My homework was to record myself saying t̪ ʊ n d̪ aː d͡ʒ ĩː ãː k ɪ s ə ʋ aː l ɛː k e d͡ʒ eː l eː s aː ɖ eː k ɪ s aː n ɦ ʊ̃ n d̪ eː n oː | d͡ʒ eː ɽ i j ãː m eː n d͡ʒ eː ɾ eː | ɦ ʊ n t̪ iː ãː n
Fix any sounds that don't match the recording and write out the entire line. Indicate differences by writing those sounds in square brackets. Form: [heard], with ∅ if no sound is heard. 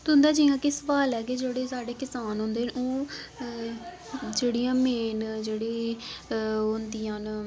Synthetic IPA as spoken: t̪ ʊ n d̪ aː d͡ʒ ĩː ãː k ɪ s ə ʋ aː l ɛː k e d͡ʒ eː [ɽ] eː s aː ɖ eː k ɪ s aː n ɦ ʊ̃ n d̪ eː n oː | d͡ʒ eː ɽ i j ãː m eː n d͡ʒ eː [ɽ] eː | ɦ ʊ n [d̪] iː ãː n